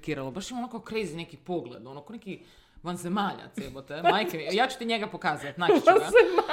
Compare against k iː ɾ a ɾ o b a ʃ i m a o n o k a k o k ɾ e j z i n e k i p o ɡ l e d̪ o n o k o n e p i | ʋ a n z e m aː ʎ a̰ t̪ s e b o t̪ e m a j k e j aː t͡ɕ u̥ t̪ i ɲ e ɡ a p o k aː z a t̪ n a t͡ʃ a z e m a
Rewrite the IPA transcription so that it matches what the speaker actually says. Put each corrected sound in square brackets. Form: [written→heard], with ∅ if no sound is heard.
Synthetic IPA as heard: k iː ɾ a [ɾ→l] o b a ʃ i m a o n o k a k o k ɾ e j z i n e k i p o ɡ l e d̪ o n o k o n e [p→k] i | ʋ a n z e m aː ʎ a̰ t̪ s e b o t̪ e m a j k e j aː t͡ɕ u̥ t̪ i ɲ e ɡ a p o k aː z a t̪ n a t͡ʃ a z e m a